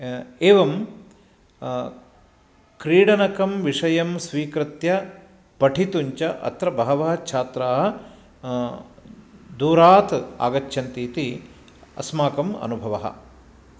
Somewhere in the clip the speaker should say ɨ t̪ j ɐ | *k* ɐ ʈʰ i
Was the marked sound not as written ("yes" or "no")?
yes